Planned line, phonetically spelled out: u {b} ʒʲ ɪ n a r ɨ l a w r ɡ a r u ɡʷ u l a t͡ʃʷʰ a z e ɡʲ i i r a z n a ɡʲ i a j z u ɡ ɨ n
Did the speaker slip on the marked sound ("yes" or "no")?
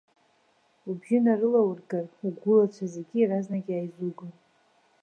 no